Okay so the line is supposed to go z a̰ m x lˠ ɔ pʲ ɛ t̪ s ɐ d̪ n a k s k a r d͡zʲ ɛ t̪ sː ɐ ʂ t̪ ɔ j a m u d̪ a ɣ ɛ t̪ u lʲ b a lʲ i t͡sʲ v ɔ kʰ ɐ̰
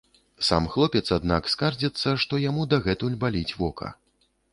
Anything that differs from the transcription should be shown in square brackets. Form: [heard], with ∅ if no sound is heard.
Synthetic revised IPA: [s] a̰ m x lˠ ɔ pʲ ɛ t̪ s [a] d̪ n a k s k a r d͡zʲ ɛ t̪ sː ɐ ʂ t̪ ɔ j a m u d̪ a ɣ ɛ t̪ u lʲ b a lʲ i t͡sʲ v ɔ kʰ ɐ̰

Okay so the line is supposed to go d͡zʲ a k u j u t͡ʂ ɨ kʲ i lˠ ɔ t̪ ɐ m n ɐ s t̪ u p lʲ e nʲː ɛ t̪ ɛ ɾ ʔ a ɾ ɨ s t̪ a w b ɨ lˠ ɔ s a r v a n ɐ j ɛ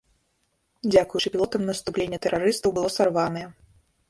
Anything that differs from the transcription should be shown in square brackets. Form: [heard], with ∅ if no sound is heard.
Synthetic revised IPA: d͡zʲ a k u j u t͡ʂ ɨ [pʲ] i lˠ ɔ t̪ ɐ m n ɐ s t̪ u p lʲ e nʲː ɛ t̪ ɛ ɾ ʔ a ɾ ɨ s t̪ [ɐ] w b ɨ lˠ ɔ s a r v a n ɐ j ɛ

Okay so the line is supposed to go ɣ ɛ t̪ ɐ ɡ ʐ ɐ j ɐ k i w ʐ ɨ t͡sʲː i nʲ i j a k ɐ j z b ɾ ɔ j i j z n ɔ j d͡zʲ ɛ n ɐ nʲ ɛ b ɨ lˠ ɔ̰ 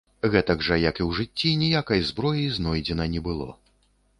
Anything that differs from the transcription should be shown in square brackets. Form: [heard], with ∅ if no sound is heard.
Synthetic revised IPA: ɣ ɛ t̪ ɐ ɡ ʐ ɐ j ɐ k i w ʐ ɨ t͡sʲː i nʲ i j a k ɐ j z b ɾ ɔ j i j z n ɔ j d͡zʲ ɛ n ɐ nʲ ɛ b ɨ lˠ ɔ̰

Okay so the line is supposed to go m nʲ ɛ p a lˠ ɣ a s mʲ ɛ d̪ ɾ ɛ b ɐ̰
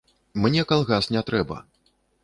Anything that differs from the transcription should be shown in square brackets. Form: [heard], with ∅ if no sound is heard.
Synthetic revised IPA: m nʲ ɛ [k] a lˠ ɣ a s [nʲ] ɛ [t̪] ɾ ɛ b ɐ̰

